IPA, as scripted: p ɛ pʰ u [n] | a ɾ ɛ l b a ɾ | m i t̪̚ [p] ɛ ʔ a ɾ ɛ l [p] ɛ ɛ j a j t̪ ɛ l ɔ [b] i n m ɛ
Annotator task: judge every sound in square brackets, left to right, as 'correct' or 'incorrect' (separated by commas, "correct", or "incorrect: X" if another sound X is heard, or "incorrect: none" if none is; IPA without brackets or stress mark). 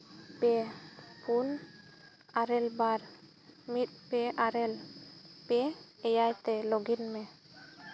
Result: correct, correct, correct, incorrect: ɡ